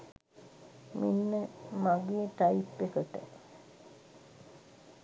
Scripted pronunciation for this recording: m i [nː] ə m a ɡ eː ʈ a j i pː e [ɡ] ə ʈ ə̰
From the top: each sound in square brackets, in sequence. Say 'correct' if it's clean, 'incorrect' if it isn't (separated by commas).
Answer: correct, incorrect